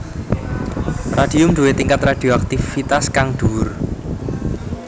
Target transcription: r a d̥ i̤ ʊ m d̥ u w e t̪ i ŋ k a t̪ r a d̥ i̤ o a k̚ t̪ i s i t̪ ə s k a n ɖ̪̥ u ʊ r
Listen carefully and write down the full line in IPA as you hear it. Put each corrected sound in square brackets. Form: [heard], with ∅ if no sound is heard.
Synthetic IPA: r a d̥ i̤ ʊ m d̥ u w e t̪ i ŋ k a t̪ r a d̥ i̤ o a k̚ t̪ i [f] i t̪ [a] s k a [ŋ] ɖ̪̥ u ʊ r